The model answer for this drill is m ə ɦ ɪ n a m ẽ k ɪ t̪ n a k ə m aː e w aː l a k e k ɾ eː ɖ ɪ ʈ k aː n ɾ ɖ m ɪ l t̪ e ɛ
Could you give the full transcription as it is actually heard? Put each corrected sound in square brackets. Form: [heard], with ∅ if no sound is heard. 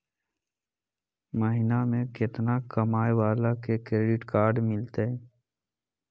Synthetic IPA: m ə ɦ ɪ n a m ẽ k ɪ t̪ n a k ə m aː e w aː l a k e k ɾ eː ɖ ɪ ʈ k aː [∅] ɾ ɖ m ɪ l t̪ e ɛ